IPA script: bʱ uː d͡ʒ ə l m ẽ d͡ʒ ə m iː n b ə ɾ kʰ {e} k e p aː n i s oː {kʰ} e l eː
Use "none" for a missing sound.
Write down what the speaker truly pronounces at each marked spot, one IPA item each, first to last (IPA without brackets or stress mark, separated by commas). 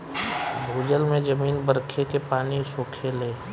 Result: e, kʰ